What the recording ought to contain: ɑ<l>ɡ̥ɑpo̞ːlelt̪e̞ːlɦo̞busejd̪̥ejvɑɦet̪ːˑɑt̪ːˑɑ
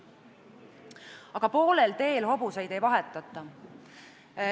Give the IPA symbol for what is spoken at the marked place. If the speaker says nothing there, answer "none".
none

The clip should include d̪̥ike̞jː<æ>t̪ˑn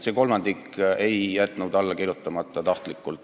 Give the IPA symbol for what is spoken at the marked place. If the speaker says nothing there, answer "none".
æ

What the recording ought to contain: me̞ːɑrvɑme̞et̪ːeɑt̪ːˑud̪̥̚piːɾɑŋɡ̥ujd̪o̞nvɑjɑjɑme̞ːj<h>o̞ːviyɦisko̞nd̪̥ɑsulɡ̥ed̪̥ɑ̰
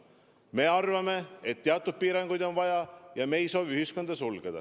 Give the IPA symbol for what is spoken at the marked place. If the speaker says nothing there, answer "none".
s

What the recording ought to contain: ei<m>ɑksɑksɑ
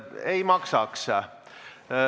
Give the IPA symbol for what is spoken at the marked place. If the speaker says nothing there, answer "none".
m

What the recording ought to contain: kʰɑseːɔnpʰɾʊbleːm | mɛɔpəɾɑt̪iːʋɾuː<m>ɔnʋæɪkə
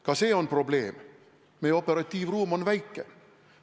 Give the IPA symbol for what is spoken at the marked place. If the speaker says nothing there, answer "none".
m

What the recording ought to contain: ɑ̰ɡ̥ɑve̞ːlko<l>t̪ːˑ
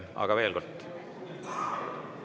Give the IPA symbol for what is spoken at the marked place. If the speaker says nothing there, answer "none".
l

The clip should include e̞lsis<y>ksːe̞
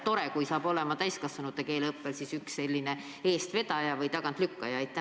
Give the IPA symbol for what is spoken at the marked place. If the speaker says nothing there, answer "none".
y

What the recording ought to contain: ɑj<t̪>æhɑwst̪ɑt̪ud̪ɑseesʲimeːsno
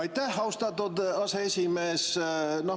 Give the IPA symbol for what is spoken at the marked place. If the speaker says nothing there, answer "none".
t̪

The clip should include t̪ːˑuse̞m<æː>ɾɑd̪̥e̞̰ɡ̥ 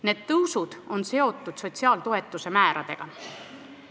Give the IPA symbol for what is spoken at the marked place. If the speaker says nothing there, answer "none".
æː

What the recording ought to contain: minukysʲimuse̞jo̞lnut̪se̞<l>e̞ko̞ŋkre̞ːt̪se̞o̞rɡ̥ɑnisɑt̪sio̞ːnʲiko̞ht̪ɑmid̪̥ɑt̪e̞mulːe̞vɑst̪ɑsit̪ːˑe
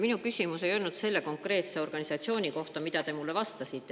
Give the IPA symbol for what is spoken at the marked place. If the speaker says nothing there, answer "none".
lː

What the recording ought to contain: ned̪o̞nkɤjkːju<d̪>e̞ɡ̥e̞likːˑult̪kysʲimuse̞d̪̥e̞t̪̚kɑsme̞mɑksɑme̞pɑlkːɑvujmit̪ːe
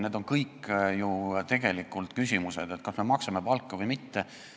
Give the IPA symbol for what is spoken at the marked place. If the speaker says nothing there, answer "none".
t̪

